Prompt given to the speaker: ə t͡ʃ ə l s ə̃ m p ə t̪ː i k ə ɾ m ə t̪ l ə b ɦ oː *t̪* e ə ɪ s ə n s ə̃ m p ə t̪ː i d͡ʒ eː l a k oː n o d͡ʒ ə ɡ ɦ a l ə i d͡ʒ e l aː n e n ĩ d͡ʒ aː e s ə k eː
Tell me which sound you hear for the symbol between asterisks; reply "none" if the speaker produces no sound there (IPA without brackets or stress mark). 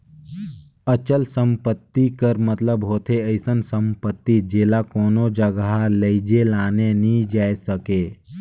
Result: t̪ʰ